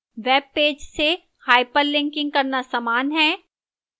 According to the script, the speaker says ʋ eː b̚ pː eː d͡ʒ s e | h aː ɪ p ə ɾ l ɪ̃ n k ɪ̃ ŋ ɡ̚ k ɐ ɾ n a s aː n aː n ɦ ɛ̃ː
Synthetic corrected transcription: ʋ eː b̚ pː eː d͡ʒ s e | h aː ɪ p ə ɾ l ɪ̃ ŋ k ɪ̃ ŋ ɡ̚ k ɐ ɾ n a s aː m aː n ɦ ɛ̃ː